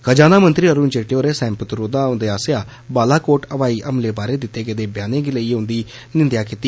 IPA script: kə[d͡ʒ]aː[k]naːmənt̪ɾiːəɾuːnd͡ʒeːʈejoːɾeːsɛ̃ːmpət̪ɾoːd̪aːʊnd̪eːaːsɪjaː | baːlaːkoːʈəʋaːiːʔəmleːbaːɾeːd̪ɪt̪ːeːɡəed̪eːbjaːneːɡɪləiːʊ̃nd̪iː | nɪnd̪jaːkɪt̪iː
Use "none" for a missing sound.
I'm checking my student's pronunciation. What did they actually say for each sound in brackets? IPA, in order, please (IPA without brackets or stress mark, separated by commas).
d͡ʒ, none